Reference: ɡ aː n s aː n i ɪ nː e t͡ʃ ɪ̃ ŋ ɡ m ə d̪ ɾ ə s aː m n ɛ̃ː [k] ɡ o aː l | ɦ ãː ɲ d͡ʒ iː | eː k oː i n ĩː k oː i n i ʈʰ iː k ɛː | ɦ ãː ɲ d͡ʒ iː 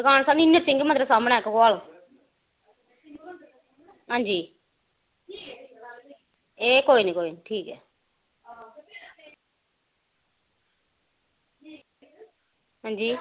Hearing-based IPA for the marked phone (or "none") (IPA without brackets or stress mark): k